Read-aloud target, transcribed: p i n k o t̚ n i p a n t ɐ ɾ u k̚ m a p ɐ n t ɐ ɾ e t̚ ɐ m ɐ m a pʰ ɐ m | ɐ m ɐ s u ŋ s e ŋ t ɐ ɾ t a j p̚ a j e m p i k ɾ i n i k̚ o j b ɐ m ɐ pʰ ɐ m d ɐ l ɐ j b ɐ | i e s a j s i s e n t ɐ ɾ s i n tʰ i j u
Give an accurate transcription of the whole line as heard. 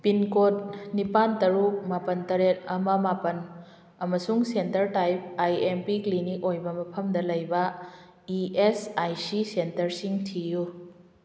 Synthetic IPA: p i n k o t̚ n i p a n t ɐ ɾ u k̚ m a p ɐ n t ɐ ɾ e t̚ ɐ m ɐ m a p ɐ n | ɐ m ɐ s u ŋ s e n t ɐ ɾ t a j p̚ a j e m p i k l i n i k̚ o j b ɐ m ɐ pʰ ɐ m d ɐ l ɐ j b ɐ | i e s a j s i s e n t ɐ ɾ s i ŋ tʰ i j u

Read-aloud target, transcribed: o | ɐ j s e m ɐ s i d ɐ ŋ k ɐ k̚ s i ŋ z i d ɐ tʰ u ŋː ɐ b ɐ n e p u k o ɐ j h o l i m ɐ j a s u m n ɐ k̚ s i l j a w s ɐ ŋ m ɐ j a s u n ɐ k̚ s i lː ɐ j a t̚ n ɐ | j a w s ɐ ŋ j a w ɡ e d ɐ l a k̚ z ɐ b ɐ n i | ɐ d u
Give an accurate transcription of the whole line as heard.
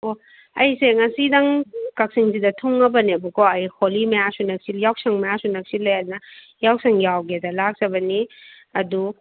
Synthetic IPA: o | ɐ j s e ŋ ɐ s i d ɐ ŋ k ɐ k̚ s i ŋ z i d ɐ tʰ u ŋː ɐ b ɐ n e b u k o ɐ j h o l i m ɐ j a s u n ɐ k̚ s i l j a w s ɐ ŋ m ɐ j a s u n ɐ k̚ s i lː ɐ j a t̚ n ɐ | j a w s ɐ ŋ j a w ɡ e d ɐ l a k̚ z ɐ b ɐ n i | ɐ d u

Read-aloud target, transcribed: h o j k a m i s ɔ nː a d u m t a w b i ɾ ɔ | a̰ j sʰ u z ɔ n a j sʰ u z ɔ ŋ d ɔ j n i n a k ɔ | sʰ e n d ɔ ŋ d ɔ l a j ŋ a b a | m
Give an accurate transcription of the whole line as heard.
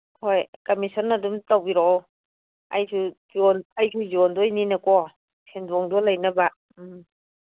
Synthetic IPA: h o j k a m i s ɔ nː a d u m t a w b i ɾ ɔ | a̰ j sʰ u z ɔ n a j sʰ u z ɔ n d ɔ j n i n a k ɔ | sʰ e n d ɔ ŋ d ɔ l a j n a b a | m

